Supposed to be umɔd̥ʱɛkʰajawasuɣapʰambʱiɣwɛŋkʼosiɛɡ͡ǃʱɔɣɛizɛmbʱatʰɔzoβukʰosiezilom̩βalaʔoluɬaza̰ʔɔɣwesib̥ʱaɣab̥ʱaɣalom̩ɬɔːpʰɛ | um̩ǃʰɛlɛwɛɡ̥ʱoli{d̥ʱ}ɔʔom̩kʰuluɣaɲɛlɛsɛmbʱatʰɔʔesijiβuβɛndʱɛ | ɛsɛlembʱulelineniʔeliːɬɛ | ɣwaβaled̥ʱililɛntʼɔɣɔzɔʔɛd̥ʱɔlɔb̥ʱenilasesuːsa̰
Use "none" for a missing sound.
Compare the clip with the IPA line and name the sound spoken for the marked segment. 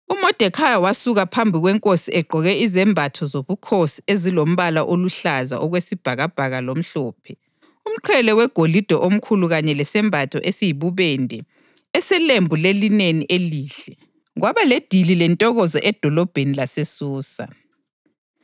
d̥ʱ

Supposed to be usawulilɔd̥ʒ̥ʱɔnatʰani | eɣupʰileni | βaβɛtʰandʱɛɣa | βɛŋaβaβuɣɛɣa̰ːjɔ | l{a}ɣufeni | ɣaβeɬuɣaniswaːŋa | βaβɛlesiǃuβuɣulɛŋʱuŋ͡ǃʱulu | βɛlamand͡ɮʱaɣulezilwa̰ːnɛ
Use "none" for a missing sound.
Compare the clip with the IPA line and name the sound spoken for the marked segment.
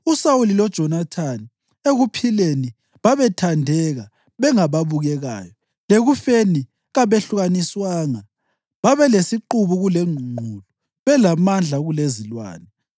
e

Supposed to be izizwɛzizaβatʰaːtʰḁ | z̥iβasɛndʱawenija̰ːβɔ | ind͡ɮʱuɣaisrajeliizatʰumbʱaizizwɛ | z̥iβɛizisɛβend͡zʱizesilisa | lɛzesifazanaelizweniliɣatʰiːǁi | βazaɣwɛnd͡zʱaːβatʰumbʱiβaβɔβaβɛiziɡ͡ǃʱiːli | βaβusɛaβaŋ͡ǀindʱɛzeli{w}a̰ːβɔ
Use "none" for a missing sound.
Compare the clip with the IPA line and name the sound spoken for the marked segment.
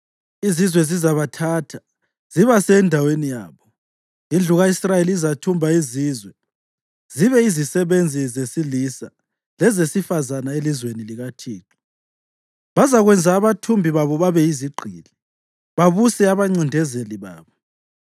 β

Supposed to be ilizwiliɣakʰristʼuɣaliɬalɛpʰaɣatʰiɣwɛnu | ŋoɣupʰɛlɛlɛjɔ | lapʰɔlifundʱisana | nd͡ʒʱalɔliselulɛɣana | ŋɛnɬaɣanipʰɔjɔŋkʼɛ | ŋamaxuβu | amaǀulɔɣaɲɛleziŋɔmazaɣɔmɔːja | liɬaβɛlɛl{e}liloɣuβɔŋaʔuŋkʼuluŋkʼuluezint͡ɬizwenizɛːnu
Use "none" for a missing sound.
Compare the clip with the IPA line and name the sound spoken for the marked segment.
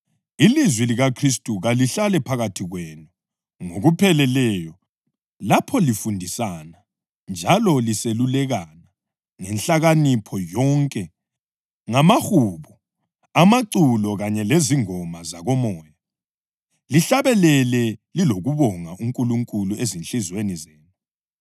ɛ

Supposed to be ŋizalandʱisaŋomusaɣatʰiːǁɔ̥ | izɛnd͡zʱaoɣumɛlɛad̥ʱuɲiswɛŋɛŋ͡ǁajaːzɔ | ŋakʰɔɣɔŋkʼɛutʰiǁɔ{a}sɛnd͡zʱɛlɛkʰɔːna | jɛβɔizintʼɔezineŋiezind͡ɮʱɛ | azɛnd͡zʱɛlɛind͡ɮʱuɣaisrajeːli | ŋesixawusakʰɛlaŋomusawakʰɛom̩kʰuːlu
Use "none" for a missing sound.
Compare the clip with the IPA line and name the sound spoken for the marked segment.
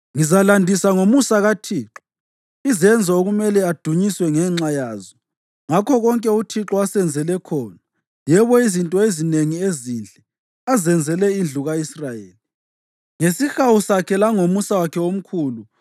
a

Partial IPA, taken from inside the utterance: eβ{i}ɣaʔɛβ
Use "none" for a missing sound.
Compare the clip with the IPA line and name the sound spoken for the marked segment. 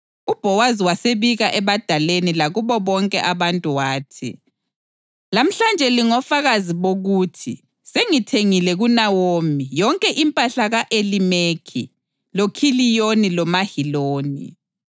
i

